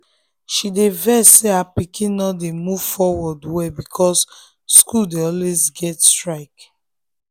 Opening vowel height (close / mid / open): close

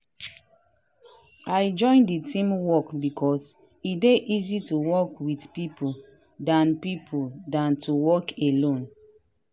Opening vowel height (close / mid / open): open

